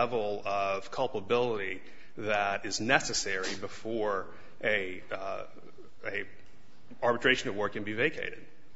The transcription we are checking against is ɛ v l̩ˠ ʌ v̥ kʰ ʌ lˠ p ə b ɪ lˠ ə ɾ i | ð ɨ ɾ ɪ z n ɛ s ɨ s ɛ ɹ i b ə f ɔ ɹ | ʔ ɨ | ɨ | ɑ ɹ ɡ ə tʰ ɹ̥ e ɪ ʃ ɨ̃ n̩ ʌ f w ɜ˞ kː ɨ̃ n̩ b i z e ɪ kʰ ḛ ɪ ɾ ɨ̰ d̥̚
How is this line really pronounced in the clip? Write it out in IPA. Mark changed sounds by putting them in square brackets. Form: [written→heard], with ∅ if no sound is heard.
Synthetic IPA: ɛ v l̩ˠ ʌ v̥ kʰ ʌ lˠ p ə b ɪ lˠ ə ɾ i | ð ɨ ɾ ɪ z n ɛ s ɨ s ɛ ɹ i b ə f ɔ ɹ | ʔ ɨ | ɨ | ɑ ɹ [ɡ→b] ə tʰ ɹ̥ e ɪ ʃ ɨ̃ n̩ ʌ [f→v] w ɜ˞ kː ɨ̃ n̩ b i [z→v] e ɪ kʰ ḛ ɪ ɾ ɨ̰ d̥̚